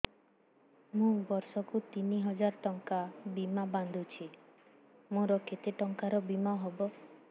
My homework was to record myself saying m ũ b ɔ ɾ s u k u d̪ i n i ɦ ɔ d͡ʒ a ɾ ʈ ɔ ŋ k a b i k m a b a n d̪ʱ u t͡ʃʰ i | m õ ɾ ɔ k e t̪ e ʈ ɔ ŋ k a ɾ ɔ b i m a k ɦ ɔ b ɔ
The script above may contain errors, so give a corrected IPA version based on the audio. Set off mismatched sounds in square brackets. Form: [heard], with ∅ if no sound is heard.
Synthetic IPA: m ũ b ɔ ɾ s [ɔ] k u [t̪] i n i ɦ ɔ d͡ʒ a ɾ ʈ ɔ ŋ k a b i [∅] m a b a n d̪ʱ u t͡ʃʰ i | m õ ɾ ɔ k e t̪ e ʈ ɔ ŋ k a ɾ ɔ b i m a [∅] ɦ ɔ b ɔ

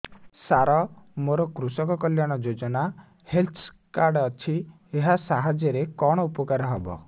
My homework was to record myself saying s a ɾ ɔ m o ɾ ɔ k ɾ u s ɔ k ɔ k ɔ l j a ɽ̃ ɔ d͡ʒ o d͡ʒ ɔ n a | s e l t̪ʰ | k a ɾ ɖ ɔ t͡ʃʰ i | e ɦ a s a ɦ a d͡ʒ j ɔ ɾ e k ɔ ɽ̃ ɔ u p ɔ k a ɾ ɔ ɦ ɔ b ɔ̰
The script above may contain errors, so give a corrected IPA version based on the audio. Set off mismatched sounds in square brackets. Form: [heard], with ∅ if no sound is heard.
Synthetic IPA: s a ɾ ɔ m o ɾ ɔ k ɾ u s ɔ k ɔ k ɔ l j a ɽ̃ ɔ d͡ʒ o d͡ʒ ɔ n a | [h] e l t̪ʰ | k a ɾ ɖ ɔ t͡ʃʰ i | e ɦ a s a ɦ a d͡ʒ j ɔ ɾ e k ɔ ɽ̃ ɔ u p ɔ k a ɾ ɔ ɦ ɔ b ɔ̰

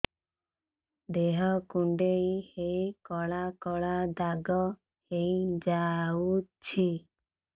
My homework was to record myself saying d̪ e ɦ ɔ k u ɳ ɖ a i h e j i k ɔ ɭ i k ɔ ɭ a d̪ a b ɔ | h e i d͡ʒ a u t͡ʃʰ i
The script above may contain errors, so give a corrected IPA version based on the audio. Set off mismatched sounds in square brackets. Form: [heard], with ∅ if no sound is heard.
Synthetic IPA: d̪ e ɦ ɔ k u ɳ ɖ [e] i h e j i k ɔ ɭ [a] k ɔ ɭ a d̪ a [ɡ] ɔ | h e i d͡ʒ a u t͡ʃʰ i

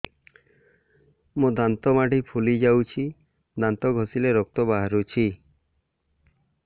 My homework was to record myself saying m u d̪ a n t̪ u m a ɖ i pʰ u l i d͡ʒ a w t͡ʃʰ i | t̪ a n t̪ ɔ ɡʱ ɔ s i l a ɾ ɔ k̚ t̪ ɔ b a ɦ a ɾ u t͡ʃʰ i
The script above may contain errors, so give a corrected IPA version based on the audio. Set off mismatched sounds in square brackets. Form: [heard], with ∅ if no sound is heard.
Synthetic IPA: m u d̪ a n t̪ [ɔ] m a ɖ i pʰ u l i d͡ʒ a w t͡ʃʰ i | [d̪] a n t̪ ɔ ɡʱ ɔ s i l [e] ɾ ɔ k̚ t̪ ɔ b a ɦ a ɾ u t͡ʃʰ i

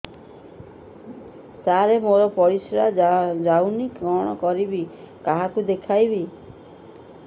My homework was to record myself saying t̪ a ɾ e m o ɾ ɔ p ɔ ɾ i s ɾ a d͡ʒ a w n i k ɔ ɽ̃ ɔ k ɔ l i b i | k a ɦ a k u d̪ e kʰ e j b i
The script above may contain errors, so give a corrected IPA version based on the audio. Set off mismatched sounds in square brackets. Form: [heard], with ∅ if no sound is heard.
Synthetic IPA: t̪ a ɾ e m o ɾ ɔ p ɔ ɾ i s ɾ a d͡ʒ a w n i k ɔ ɽ̃ ɔ k ɔ [ɾ] i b i | k a ɦ a k u d̪ e kʰ [a] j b i

